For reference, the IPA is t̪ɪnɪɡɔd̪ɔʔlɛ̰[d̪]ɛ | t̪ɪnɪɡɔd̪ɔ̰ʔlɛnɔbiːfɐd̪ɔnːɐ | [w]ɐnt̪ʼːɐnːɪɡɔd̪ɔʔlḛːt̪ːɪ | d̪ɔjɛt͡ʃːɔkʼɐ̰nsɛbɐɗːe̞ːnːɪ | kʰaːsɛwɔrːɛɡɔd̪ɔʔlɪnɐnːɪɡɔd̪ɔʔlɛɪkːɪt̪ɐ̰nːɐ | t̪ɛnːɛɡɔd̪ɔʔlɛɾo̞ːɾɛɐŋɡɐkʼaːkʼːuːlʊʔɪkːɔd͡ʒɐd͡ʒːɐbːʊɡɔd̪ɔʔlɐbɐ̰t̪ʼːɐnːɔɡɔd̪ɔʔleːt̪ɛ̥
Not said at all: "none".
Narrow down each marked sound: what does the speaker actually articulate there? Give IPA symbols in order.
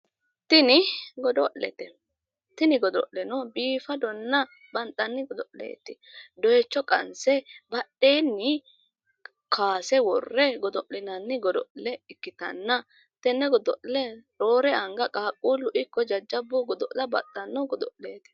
t̪, b

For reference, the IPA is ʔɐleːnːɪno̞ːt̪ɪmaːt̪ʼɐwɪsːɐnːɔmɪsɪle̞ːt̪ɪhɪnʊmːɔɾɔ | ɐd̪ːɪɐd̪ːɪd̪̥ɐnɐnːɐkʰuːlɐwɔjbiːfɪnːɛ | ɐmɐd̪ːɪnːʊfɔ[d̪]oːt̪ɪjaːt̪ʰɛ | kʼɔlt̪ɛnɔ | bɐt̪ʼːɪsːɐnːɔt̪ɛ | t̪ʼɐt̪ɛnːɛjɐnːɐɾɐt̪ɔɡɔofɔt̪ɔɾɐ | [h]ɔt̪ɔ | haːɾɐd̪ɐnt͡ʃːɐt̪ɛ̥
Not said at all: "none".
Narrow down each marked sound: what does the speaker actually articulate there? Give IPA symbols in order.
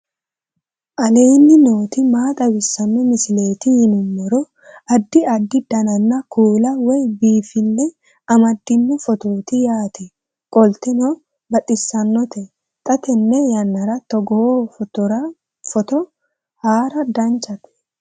t̪, f

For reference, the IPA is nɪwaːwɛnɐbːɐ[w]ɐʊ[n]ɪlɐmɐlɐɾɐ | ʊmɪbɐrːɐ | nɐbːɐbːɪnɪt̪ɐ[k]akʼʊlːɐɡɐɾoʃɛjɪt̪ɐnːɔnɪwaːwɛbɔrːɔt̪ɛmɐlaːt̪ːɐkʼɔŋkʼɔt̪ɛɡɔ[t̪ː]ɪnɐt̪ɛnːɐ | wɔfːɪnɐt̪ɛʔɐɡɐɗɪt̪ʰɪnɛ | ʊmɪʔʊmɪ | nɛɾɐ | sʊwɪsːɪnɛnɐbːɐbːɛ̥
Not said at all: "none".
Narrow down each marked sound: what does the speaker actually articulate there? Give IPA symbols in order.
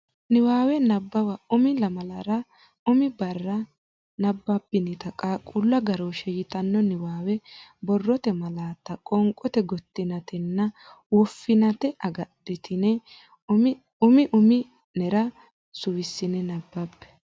w, m, kʼ, t̪ː

